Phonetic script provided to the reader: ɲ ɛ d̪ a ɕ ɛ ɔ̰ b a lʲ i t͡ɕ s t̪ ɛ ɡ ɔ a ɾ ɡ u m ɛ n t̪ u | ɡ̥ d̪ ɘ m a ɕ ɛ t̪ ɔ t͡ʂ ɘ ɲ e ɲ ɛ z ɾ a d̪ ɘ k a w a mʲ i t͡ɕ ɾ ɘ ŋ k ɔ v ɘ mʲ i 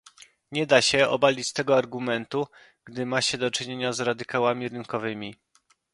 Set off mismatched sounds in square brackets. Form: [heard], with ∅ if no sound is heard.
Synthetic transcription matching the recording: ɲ ɛ d̪ a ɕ ɛ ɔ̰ b a lʲ i t͡ɕ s t̪ ɛ ɡ ɔ a ɾ ɡ u m ɛ n t̪ u | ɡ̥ d̪ ɘ m a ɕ ɛ [d̪] ɔ t͡ʂ ɘ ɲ e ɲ [a] z ɾ a d̪ ɘ k a w a mʲ i [∅] ɾ ɘ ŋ k ɔ v ɘ mʲ i